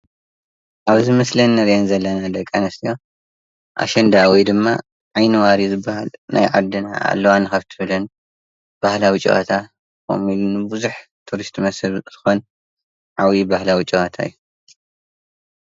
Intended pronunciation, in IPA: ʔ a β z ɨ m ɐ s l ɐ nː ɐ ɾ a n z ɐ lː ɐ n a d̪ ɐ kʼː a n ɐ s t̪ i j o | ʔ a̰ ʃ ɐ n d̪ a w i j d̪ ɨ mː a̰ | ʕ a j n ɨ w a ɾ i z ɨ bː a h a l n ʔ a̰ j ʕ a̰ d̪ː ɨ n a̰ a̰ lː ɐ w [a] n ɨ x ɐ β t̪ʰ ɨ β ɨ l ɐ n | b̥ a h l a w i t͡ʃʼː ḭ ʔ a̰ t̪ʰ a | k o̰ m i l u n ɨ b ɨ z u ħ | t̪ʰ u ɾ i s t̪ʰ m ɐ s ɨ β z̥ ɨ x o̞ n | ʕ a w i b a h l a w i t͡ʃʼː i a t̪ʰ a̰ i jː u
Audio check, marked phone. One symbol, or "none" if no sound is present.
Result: a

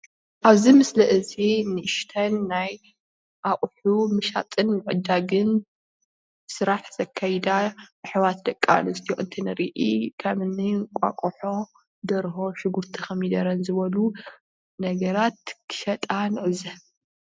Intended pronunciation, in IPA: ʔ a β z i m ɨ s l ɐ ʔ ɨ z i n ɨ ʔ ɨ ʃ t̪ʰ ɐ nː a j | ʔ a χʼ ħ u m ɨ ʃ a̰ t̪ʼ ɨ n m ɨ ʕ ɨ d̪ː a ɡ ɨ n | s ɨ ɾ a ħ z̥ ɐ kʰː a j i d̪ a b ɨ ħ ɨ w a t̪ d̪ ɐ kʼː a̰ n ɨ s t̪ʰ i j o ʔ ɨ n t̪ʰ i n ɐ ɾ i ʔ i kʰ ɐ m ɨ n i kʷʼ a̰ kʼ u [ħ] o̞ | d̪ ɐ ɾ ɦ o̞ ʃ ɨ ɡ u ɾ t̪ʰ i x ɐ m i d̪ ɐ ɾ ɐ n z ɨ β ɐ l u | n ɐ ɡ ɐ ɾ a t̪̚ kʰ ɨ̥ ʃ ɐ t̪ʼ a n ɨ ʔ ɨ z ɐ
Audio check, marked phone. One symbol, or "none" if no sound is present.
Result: ħ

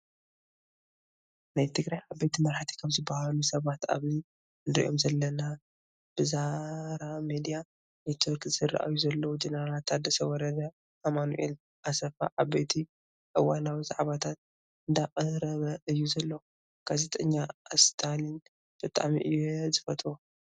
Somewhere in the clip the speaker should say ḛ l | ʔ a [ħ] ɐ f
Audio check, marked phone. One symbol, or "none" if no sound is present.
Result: s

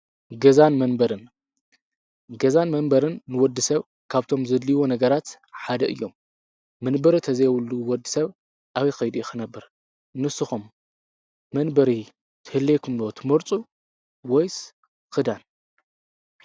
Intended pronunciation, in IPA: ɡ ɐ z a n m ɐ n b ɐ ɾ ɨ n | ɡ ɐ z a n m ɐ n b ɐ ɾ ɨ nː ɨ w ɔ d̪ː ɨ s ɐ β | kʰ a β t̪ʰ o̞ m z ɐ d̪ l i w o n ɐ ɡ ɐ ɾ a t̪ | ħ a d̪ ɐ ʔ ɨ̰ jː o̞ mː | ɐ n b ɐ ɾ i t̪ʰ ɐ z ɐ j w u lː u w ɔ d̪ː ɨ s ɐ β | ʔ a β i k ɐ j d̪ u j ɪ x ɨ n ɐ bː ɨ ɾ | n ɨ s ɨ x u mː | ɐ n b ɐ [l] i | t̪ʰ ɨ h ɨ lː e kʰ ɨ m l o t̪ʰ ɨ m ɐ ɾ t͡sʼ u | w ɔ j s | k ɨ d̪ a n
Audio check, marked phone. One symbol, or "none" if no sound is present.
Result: ɾ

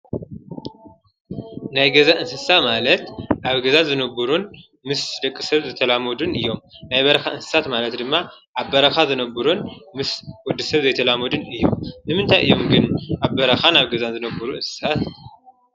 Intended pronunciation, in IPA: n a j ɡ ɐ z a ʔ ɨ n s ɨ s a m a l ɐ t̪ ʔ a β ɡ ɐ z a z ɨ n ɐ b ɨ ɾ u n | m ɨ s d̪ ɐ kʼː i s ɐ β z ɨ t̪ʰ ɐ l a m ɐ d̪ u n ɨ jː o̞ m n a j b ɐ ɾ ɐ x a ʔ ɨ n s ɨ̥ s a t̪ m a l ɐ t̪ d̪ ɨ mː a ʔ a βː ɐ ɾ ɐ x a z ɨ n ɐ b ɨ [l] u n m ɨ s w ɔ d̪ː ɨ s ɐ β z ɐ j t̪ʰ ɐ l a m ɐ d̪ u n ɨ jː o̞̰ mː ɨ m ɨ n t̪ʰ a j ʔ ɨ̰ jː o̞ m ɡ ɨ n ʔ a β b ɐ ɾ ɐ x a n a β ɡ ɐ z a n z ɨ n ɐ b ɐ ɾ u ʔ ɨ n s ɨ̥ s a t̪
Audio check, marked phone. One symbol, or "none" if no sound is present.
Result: ɾ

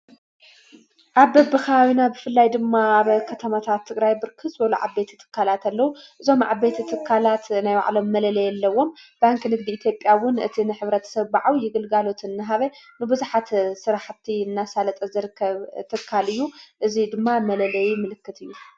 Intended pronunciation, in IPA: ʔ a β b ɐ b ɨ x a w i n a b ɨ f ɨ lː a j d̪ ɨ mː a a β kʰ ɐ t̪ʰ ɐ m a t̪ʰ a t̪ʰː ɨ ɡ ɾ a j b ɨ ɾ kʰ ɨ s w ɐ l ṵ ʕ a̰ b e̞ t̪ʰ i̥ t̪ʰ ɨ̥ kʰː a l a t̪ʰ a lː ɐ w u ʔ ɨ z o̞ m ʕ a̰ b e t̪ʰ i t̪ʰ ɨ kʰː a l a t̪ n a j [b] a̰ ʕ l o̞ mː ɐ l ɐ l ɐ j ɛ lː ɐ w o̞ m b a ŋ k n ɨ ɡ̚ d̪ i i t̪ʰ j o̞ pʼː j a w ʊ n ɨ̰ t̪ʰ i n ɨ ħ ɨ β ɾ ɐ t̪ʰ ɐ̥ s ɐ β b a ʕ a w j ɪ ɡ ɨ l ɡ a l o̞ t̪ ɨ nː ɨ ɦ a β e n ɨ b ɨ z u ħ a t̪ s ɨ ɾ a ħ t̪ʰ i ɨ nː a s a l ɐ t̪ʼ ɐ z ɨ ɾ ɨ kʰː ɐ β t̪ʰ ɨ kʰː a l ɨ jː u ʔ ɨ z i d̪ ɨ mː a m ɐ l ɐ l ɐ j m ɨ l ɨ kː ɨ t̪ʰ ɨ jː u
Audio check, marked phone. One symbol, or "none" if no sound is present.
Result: w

